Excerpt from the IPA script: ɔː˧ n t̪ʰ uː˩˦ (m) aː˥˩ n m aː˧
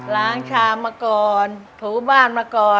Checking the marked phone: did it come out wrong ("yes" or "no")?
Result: yes